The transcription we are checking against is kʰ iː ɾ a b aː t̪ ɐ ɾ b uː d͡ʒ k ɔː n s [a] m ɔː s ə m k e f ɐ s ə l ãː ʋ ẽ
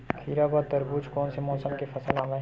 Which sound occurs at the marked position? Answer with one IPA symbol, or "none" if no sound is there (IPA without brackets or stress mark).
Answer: e